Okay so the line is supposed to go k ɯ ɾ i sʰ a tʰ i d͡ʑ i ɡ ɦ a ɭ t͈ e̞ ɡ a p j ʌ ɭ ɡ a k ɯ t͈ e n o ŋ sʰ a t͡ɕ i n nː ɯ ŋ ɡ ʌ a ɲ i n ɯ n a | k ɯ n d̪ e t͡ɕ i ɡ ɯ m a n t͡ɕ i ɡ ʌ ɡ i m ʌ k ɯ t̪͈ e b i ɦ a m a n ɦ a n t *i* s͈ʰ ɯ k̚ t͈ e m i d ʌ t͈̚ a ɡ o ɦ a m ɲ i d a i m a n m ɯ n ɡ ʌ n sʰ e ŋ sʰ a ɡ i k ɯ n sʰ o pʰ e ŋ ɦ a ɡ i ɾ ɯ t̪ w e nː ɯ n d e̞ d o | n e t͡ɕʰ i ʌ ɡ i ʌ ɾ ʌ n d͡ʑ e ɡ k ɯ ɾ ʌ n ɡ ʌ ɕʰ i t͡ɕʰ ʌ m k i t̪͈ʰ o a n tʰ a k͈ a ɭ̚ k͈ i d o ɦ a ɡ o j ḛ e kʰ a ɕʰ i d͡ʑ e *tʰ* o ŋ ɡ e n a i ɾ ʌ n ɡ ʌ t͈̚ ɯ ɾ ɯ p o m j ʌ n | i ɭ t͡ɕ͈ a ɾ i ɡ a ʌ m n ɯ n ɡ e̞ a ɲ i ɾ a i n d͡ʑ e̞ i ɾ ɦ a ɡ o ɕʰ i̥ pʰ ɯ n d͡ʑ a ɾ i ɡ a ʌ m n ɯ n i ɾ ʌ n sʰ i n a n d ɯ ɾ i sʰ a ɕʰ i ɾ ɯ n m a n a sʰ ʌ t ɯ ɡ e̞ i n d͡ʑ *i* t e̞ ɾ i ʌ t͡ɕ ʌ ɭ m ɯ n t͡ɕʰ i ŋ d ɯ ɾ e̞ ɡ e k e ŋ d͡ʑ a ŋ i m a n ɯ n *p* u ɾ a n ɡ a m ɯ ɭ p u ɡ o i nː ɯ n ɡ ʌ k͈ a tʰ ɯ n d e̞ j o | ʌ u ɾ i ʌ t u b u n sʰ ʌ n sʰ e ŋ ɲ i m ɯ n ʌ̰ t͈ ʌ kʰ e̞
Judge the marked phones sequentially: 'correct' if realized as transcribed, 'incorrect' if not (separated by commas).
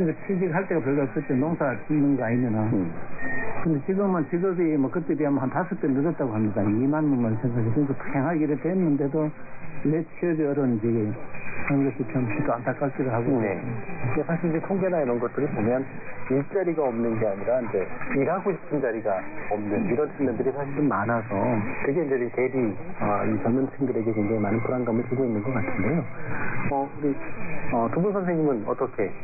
incorrect, correct, incorrect, incorrect